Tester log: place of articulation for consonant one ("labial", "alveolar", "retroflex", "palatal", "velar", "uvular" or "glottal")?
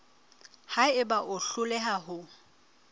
glottal